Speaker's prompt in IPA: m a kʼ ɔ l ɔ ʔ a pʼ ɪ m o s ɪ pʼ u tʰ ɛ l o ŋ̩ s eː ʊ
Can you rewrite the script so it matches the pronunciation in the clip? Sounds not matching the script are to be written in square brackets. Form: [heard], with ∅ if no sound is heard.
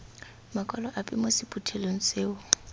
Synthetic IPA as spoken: m a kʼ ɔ l ɔ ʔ a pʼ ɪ m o s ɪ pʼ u tʰ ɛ l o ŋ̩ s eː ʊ